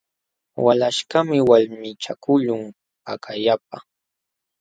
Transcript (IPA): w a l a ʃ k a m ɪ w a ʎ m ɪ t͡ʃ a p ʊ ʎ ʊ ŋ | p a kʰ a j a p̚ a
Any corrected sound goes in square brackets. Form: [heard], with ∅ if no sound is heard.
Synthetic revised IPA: w a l a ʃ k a m ɪ w a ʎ m ɪ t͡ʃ a [k] ʊ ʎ ʊ ŋ | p a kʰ a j a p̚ a

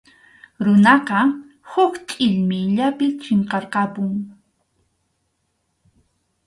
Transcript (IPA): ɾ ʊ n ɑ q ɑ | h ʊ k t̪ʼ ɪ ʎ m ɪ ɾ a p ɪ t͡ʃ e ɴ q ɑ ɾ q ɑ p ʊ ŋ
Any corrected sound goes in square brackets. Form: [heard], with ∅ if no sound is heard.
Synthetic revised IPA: ɾ ʊ n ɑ q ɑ | h ʊ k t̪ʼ ɪ ʎ m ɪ [ʎ] a p ɪ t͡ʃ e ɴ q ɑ ɾ q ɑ p ʊ ŋ

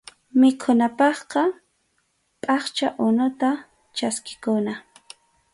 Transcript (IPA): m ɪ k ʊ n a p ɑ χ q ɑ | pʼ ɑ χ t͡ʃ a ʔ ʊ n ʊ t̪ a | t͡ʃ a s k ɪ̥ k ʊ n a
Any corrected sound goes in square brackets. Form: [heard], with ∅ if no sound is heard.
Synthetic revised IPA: m ɪ [kʰ] ʊ n a p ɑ χ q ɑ | pʼ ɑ χ t͡ʃ a ʔ ʊ n ʊ t̪ a | t͡ʃ a s k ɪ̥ k ʊ n a

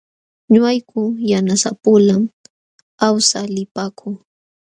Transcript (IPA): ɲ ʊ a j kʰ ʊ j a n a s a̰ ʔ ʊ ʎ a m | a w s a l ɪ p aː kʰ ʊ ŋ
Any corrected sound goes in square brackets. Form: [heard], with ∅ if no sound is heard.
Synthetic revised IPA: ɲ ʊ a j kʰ ʊ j a n a s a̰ [p] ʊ [l] a m | a w s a l ɪ p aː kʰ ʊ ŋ

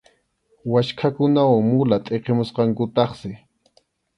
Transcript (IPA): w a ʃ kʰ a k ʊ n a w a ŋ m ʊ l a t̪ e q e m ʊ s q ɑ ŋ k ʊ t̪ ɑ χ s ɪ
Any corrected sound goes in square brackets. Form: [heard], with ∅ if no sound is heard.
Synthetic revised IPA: w a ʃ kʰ a k ʊ n a w a ŋ m ʊ l a [t̪ʼ] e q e m ʊ s q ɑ ŋ k ʊ t̪ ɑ χ s ɪ

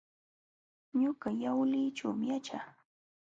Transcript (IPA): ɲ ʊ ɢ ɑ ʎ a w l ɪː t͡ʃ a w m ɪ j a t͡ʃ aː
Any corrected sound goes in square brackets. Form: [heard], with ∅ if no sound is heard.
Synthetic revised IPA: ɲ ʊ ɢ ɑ [j] a w l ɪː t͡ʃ a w m ɪ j a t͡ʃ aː

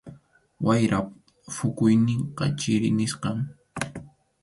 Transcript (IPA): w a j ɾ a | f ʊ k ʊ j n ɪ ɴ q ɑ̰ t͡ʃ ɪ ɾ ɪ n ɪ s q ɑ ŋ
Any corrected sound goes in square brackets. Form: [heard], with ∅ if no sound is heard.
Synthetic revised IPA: w a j ɾ a | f ʊ k ʊ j n ɪ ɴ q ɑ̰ t͡ʃ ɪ ɾ ɪ n ɪ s q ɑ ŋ

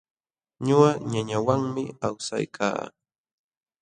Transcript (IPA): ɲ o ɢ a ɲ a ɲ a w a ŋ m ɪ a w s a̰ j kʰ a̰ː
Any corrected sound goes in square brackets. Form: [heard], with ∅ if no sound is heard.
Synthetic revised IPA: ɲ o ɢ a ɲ a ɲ a w a ŋ m ɪ a w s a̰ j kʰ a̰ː

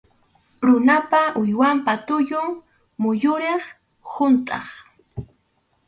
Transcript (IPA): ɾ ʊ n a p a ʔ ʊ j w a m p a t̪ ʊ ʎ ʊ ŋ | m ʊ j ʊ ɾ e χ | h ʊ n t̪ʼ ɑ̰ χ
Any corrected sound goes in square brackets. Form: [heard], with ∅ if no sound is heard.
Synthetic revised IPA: ɾ ʊ n a p a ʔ ʊ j w a m p a t̪ ʊ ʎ ʊ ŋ | m ʊ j ʊ ɾ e χ | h ʊ n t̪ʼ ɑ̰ χ

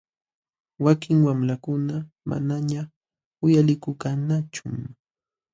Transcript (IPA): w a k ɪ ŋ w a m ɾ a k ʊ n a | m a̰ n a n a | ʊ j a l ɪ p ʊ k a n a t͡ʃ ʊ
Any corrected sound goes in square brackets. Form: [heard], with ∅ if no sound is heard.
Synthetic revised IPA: w a k ɪ ŋ w a m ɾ a k ʊ n a | m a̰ n a [ɲ] a | ʊ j a l ɪ [k] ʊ k a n a t͡ʃ ʊ

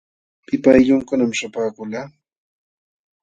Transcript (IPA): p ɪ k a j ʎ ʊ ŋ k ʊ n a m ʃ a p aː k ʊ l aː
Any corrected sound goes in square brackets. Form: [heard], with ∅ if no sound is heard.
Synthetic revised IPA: p ɪ [p] a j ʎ ʊ ŋ k ʊ n a m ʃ a p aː k ʊ l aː

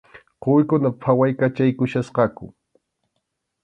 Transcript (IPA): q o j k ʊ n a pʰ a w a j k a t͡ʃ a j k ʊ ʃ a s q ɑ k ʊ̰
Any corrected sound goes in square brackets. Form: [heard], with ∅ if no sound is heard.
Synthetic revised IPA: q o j k ʊ n a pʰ a w a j k a t͡ʃ a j k ʊ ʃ a s q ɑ k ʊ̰

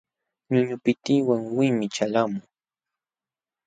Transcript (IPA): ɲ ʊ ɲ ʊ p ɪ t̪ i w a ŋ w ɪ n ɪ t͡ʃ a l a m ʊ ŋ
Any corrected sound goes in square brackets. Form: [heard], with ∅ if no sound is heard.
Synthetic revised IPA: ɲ ʊ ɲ ʊ p ɪ t̪ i w a ŋ w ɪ [m] ɪ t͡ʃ a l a m ʊ ŋ

